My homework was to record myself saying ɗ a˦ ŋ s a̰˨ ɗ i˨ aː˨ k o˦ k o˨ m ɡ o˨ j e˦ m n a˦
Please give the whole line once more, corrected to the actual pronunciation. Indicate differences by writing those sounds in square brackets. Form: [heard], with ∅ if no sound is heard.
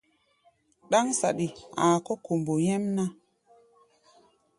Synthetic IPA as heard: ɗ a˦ ŋ s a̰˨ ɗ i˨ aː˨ k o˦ k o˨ m [b] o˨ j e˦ m n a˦